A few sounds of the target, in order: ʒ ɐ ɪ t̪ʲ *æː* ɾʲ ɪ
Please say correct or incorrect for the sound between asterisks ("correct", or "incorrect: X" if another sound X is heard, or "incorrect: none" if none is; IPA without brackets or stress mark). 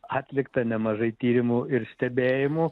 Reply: incorrect: iː